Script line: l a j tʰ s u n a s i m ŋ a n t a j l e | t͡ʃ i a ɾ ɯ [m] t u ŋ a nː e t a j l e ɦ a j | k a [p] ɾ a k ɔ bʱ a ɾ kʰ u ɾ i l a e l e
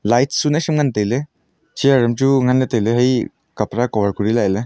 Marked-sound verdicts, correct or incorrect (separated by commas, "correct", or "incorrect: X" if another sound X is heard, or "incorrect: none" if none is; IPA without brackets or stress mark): correct, correct